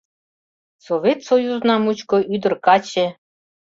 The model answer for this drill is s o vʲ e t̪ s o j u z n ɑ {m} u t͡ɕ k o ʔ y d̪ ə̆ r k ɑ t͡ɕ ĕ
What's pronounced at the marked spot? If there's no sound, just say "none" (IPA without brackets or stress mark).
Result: m